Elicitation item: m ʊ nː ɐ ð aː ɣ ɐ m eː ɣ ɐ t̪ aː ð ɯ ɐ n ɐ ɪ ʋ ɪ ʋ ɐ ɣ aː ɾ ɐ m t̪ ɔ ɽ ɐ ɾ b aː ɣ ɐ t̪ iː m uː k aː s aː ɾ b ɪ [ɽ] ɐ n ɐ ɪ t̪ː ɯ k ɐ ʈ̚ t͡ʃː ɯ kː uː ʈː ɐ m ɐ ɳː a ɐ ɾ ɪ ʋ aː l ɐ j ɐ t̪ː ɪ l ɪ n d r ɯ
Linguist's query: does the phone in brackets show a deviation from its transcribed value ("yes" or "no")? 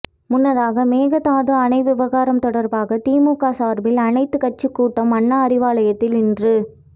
yes